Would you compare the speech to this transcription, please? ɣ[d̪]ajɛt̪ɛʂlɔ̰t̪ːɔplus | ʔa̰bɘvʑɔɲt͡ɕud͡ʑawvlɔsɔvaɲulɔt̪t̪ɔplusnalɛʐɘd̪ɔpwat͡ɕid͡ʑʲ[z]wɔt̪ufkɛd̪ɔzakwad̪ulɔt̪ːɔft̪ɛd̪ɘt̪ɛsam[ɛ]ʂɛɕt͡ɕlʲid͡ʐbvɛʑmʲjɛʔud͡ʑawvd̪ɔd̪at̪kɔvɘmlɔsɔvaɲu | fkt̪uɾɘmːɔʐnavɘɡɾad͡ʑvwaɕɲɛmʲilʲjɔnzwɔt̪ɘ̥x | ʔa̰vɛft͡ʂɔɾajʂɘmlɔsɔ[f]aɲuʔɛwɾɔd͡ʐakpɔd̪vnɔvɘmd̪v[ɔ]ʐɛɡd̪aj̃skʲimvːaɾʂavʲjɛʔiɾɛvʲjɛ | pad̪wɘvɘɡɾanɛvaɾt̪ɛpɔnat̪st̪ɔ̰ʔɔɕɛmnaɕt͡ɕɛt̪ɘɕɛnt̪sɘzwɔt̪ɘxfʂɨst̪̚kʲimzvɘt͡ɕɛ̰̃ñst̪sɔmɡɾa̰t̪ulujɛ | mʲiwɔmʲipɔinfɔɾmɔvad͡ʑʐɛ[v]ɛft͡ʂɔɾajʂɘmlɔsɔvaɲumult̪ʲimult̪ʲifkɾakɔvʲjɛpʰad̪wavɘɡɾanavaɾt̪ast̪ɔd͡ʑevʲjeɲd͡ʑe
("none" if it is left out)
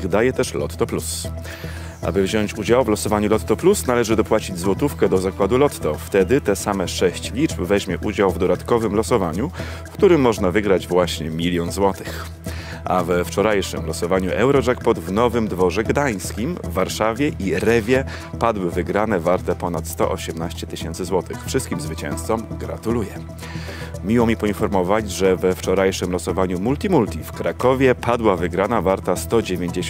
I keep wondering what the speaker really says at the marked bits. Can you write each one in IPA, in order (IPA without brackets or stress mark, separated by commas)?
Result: d̪, z, ɛ, v, ɔ, v